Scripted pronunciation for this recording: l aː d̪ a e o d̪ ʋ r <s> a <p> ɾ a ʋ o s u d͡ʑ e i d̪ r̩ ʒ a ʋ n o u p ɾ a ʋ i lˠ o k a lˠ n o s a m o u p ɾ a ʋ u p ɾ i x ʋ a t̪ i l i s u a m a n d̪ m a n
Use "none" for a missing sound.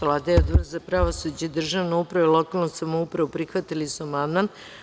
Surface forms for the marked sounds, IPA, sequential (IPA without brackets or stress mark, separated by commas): z, p